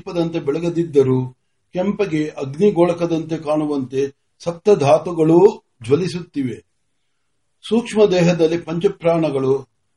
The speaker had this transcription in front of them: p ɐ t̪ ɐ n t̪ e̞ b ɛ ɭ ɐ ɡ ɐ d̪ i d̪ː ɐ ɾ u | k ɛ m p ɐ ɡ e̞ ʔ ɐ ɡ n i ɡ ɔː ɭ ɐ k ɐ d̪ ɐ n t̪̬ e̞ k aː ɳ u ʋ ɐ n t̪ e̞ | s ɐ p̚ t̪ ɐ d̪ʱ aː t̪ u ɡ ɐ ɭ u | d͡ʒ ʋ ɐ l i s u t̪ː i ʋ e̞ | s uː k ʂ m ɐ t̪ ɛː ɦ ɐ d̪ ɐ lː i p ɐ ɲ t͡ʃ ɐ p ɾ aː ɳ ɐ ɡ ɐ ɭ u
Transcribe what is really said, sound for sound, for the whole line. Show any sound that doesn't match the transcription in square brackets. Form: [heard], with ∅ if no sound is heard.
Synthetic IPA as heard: p ɐ [d̪] ɐ n t̪ e̞ b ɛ ɭ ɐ ɡ ɐ d̪ i d̪ː ɐ ɾ u | k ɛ m p ɐ ɡ e̞ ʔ ɐ ɡ n i ɡ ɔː ɭ ɐ k ɐ d̪ ɐ n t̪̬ e̞ k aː ɳ u ʋ ɐ n t̪ e̞ | s ɐ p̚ t̪ ɐ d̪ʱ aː t̪ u ɡ ɐ ɭ u | d͡ʒ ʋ ɐ l i s u t̪ː i ʋ e̞ | s uː k ʂ m ɐ [d̪] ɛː ɦ ɐ d̪ ɐ lː i p ɐ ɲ t͡ʃ ɐ p ɾ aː ɳ ɐ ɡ ɐ ɭ u